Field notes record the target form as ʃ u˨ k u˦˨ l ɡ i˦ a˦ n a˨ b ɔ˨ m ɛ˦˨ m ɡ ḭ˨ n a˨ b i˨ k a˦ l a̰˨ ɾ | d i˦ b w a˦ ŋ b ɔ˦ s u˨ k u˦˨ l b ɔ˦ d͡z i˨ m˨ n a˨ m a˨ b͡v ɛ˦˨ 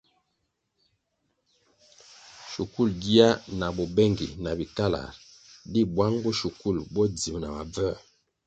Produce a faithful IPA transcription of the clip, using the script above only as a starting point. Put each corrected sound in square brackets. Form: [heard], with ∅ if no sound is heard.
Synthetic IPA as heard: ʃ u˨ k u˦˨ l ɡ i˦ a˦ n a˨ b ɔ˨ [b] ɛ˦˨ [ŋ] ɡ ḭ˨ n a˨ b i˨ k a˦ l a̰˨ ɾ | d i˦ b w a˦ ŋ b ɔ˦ [ʃ] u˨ k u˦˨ l b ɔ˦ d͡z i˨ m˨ n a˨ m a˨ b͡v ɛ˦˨

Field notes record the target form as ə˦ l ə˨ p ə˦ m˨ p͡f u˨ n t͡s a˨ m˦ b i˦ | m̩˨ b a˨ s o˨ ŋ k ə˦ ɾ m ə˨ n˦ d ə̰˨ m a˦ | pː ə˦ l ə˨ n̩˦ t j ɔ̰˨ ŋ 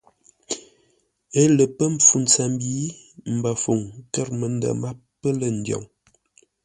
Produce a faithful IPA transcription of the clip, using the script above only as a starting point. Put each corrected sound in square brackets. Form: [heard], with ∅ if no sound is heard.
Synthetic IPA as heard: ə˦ l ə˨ p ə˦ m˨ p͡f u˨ n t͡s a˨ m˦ b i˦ | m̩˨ b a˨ [f] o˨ ŋ k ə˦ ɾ m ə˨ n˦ d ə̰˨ m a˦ | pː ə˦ l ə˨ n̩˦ [d] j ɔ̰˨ ŋ

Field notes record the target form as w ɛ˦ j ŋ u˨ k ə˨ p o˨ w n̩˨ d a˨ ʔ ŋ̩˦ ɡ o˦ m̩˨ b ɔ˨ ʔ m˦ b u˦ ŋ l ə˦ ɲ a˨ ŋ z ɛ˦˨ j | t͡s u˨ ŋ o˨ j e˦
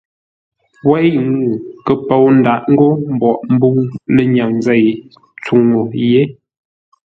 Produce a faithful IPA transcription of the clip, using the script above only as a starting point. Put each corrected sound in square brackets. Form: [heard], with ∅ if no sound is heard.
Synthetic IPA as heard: w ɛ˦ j ŋ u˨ k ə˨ p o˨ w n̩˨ d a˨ ʔ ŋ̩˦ ɡ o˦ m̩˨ b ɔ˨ ʔ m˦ b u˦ ŋ l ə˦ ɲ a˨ ŋ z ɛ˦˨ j | t͡s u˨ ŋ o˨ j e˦

